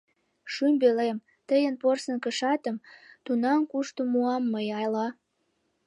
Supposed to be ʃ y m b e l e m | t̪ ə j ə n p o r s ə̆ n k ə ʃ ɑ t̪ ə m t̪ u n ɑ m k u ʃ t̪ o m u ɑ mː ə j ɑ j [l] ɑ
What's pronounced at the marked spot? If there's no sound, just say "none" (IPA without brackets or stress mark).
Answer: l